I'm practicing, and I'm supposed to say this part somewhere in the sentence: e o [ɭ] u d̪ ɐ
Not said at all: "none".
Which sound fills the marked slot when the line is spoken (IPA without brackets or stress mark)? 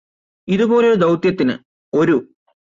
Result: ɾ